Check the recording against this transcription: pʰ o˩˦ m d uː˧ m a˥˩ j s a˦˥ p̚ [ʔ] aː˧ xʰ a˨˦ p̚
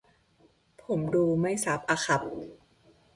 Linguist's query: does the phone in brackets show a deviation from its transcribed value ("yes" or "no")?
no